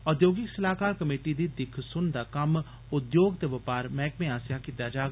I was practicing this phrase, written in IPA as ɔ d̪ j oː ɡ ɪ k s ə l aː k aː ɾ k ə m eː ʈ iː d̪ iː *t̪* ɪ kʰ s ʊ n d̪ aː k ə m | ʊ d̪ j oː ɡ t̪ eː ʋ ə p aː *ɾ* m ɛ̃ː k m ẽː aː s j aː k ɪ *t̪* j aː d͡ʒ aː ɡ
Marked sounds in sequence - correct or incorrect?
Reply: incorrect, correct, correct

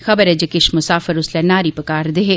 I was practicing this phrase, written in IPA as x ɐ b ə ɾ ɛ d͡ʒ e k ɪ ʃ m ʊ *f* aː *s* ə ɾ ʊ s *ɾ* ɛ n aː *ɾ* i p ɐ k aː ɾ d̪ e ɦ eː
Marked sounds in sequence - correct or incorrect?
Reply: incorrect, incorrect, incorrect, correct

